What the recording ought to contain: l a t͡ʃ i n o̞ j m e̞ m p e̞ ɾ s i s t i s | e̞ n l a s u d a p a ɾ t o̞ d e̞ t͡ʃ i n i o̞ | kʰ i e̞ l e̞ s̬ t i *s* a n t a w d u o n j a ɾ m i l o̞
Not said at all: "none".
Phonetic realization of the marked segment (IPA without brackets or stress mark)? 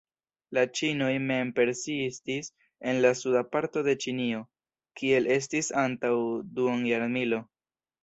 s